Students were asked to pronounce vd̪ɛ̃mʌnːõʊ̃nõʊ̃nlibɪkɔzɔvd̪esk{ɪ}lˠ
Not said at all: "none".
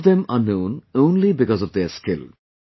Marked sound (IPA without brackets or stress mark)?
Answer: ɪ